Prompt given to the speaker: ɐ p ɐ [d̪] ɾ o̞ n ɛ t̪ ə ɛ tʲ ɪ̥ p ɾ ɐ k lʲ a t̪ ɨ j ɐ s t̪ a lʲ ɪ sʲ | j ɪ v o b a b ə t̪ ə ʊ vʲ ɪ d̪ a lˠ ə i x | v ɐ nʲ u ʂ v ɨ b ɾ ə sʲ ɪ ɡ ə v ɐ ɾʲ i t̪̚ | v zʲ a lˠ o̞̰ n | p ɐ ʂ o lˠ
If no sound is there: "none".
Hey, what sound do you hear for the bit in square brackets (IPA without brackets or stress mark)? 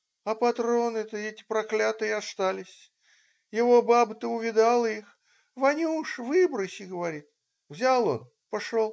t̪